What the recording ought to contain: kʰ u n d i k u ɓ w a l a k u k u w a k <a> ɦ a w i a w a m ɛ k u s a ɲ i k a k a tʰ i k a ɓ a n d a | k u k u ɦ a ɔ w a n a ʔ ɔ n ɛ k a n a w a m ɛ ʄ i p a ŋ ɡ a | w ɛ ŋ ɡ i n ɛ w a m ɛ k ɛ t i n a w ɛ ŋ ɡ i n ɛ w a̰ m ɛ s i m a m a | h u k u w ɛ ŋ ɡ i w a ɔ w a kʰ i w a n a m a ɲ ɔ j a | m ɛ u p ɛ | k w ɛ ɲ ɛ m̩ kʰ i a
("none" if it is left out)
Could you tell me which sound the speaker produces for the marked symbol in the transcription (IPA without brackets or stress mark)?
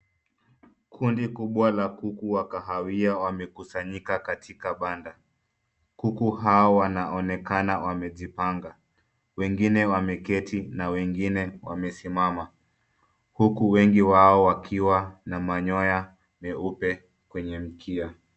a